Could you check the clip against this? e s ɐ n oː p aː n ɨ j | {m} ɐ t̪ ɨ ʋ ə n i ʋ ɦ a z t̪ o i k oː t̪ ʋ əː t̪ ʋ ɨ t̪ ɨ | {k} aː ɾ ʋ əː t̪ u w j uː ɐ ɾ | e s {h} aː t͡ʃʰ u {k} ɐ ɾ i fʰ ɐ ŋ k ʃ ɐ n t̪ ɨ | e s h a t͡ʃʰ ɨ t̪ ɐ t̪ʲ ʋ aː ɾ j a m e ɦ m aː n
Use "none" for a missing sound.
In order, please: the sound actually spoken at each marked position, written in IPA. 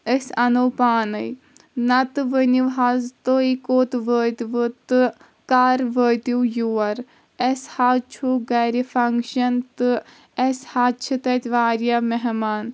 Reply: n, k, h, ɡ

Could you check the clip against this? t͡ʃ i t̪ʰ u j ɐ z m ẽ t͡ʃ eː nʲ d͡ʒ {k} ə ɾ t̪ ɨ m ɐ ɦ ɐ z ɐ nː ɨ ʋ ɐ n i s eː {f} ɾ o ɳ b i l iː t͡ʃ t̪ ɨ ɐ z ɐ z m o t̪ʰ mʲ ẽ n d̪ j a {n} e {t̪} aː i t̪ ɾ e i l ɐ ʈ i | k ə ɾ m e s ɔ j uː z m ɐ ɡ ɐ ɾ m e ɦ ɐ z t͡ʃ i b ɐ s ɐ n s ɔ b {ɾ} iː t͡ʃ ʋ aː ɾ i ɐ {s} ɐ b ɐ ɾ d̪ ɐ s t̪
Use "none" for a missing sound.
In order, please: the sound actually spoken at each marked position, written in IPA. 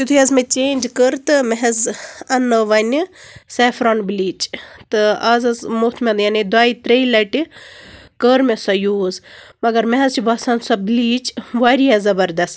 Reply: k, f, n, d̪, l, z

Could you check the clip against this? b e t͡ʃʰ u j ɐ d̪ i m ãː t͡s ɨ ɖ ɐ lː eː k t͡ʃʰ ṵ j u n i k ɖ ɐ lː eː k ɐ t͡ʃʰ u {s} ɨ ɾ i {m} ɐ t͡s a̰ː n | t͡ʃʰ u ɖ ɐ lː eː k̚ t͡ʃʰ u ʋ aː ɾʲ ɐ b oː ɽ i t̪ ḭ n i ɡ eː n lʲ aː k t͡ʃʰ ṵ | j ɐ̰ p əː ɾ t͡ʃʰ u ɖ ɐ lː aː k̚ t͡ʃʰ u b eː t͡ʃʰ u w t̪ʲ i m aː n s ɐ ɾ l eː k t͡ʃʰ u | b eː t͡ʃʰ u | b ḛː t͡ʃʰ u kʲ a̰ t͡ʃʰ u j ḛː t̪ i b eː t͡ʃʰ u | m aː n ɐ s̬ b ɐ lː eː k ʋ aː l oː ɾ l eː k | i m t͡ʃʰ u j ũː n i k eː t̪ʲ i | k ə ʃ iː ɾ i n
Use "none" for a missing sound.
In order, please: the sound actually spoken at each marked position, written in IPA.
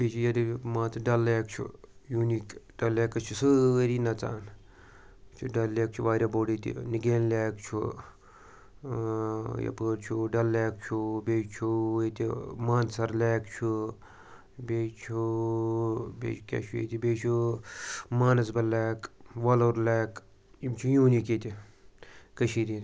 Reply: s, n

